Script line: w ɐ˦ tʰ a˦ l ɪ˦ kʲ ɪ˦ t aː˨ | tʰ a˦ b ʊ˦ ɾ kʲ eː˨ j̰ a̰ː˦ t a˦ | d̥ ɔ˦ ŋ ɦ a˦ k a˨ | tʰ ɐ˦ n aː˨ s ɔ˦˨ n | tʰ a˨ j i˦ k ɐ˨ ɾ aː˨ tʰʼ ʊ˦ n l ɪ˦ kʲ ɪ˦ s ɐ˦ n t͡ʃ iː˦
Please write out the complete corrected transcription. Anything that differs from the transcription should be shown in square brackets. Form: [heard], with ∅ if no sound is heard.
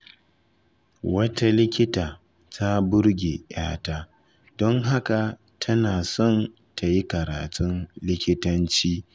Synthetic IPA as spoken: w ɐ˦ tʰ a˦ l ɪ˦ kʲ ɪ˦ t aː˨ | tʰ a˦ b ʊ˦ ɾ [ɡʲ] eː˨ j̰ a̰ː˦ t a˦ | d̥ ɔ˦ ŋ ɦ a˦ k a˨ | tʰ ɐ˦ n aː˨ s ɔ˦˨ n | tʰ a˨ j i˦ k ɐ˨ ɾ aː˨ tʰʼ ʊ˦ n l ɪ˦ kʲ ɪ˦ [t] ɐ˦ n t͡ʃ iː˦